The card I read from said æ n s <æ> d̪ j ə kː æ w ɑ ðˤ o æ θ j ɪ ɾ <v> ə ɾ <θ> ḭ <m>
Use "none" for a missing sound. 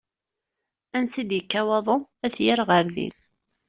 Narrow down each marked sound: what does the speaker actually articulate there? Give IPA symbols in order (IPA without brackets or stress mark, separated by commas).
i, ʁ, ð, n